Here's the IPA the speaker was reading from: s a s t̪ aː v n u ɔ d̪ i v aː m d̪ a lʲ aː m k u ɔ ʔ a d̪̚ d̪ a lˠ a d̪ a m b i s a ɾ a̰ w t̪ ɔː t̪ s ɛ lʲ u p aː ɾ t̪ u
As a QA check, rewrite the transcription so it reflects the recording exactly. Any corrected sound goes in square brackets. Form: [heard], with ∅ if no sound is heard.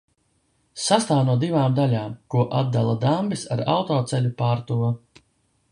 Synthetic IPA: s a s t̪ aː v n u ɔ d̪ i v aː m d̪ a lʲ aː m k u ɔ ʔ a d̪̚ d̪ a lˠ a d̪ a m b i s a ɾ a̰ w t̪ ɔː t̪ s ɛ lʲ u p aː ɾ t̪ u